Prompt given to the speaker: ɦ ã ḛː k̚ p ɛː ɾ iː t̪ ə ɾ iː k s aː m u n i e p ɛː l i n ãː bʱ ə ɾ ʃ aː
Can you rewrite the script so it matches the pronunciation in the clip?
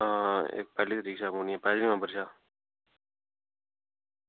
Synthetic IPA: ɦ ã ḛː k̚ p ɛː l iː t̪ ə ɾ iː k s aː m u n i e p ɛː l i m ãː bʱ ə ɾ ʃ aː